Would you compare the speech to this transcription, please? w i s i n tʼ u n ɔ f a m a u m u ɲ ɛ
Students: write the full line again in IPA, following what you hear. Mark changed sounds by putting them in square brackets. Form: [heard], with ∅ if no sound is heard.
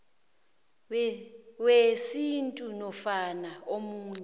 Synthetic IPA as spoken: w [e] s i n tʼ u n ɔ f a [n] a [o] m [uː] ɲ ɛ